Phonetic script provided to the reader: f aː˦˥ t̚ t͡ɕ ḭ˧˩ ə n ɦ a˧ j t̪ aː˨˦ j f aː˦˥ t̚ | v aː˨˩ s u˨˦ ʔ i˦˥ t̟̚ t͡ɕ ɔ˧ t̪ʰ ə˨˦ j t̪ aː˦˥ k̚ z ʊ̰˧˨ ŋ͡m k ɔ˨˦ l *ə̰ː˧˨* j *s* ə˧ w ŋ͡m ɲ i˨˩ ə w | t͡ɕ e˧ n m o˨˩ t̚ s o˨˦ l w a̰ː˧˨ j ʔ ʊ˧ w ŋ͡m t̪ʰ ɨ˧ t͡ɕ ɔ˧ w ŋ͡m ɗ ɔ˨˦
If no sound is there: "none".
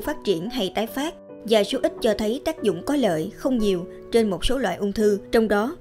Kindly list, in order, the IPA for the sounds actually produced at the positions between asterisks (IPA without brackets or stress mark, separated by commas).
ə̰ː˧˨, x